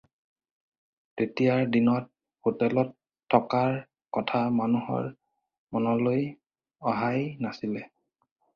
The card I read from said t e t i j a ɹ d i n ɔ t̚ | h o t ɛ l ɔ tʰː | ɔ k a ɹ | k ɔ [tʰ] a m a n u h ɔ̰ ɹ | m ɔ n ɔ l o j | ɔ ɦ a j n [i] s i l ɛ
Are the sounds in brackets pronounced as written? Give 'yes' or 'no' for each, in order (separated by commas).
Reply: yes, no